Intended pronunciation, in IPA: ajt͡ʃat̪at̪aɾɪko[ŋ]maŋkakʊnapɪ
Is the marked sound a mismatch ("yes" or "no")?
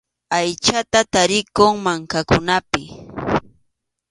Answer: no